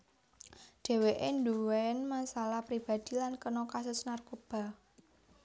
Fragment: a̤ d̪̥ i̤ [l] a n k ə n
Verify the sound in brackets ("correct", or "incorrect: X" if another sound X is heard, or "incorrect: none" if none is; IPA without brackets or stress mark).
correct